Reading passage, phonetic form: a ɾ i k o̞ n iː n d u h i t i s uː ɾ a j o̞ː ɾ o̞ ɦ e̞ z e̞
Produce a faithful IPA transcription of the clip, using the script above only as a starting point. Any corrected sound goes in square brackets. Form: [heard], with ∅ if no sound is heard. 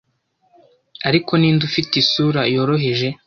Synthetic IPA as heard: a ɾ i k o̞ n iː n d u [f] i t i s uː ɾ a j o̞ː ɾ o̞ ɦ e̞ [ʒ] e̞